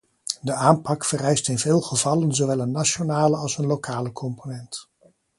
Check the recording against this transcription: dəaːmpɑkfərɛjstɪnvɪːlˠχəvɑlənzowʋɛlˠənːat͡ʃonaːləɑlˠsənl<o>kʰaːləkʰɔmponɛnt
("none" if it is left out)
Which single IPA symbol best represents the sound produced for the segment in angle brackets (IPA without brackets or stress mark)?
o